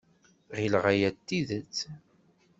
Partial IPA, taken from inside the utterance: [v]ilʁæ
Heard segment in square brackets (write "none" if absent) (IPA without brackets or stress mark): ʁ